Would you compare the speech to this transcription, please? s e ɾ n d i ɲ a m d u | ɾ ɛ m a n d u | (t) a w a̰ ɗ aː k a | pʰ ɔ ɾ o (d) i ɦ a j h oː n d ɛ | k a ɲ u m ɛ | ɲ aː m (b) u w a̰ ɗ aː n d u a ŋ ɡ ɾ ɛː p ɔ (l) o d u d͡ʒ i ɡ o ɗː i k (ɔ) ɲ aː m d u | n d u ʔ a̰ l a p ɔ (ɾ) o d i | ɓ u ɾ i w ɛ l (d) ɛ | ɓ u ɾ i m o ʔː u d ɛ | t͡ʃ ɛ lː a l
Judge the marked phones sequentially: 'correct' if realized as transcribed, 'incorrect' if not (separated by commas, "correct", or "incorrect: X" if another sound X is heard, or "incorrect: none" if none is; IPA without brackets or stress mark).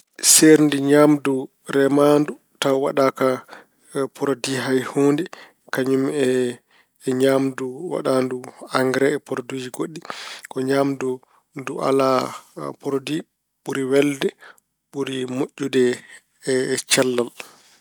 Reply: correct, correct, incorrect: d, incorrect: ɾ, correct, correct, correct